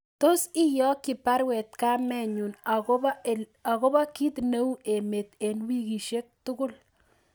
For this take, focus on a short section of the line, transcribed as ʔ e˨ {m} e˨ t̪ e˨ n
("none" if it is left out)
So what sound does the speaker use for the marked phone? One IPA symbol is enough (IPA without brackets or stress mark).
m